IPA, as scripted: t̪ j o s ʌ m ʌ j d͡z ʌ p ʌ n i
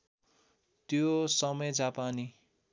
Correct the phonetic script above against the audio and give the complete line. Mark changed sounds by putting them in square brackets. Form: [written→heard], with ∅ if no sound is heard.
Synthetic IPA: t̪ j o s ʌ m ʌ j d͡z [ʌ→a] p [ʌ→a] n i